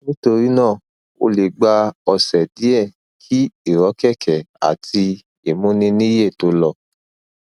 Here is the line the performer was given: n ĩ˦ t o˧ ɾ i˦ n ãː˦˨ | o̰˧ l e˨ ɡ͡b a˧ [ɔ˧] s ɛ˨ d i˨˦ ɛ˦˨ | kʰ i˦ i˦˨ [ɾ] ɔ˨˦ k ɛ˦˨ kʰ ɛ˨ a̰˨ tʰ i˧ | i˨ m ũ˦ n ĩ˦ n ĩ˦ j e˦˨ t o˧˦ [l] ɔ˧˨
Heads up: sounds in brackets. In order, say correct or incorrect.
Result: correct, correct, correct

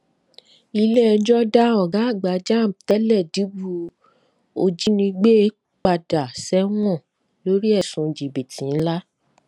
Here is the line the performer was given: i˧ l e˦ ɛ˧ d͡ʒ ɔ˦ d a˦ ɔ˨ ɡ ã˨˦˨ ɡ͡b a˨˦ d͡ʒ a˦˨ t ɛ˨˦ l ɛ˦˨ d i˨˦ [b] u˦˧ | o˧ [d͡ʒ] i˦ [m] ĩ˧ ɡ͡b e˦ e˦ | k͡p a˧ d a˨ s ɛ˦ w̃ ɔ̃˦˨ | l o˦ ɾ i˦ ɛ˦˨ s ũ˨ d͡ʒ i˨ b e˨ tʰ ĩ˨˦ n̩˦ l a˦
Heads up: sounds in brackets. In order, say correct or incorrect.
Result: correct, correct, incorrect: n

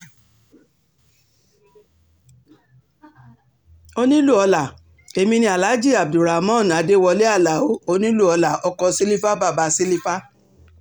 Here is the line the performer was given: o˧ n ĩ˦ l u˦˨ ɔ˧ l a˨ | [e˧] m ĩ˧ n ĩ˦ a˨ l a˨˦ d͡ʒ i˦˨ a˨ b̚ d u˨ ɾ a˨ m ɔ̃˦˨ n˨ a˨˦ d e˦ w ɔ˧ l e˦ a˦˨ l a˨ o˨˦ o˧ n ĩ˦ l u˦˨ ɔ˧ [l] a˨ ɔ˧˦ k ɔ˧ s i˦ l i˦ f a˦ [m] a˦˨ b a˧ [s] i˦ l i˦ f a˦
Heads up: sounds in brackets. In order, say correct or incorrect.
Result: correct, correct, incorrect: b, correct

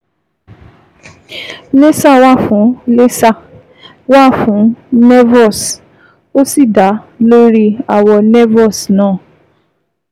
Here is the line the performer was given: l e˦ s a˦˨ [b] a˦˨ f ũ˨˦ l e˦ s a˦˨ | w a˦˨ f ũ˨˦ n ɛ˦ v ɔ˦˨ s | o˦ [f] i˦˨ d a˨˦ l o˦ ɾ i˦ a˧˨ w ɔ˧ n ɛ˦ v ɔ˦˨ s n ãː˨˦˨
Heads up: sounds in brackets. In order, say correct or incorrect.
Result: incorrect: w, incorrect: s

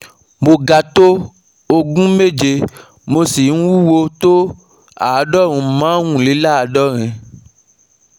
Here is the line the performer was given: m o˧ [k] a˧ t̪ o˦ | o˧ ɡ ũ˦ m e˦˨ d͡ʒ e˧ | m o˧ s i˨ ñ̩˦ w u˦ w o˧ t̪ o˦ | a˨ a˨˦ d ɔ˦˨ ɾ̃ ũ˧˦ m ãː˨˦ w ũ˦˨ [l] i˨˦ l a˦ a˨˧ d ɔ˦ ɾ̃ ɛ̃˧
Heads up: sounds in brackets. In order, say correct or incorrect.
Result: incorrect: ɡ, correct

